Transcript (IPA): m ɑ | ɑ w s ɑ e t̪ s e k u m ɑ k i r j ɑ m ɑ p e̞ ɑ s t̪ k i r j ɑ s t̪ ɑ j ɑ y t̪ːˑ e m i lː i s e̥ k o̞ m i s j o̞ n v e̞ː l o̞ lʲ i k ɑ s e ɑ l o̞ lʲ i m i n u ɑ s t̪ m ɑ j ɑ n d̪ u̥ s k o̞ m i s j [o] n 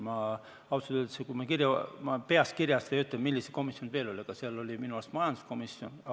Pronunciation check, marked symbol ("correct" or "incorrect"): correct